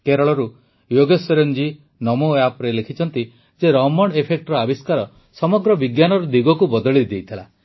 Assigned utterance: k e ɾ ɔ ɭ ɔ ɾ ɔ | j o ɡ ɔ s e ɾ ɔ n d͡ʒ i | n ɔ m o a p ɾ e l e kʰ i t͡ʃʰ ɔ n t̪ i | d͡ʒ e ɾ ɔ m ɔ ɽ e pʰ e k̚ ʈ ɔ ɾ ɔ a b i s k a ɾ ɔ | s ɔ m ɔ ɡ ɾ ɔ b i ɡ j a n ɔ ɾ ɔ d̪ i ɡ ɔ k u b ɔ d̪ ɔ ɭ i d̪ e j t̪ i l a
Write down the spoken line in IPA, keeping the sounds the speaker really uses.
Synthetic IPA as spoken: k e ɾ ɔ ɭ ɔ ɾ u | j o ɡ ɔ s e ɾ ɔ n d͡ʒ i | n ɔ m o a p ɾ e l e kʰ i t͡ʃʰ ɔ n t̪ i | d͡ʒ e ɾ ɔ m ɔ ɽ e pʰ e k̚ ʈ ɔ ɾ ɔ a b i s k a ɾ ɔ | s ɔ m ɔ ɡ ɾ ɔ b i ɡ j a n ɔ ɾ ɔ d̪ i ɡ ɔ k u b ɔ d̪ ɔ ɭ i d̪ e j t̪ʰ i l a